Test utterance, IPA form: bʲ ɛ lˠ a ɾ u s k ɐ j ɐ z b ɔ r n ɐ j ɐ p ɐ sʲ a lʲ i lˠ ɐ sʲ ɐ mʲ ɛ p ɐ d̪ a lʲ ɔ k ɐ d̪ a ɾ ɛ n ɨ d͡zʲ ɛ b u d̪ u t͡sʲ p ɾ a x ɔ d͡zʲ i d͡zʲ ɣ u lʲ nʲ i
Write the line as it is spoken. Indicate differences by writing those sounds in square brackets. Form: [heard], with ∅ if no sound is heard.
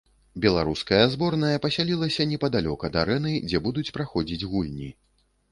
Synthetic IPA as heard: bʲ ɛ lˠ a ɾ u s k ɐ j ɐ z b ɔ r n ɐ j ɐ p ɐ sʲ a lʲ i lˠ ɐ sʲ ɐ [nʲ] ɛ p ɐ d̪ a lʲ ɔ k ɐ d̪ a ɾ ɛ n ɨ d͡zʲ ɛ b u d̪ u t͡sʲ p ɾ a x ɔ d͡zʲ i d͡zʲ ɣ u lʲ nʲ i